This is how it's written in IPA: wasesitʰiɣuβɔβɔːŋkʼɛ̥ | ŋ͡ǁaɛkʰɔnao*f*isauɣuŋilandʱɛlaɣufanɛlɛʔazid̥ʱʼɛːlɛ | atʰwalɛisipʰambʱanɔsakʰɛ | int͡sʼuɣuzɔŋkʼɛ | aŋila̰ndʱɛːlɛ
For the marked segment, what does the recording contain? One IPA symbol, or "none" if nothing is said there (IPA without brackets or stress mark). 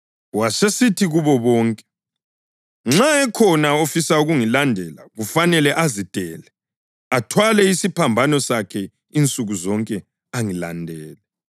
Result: f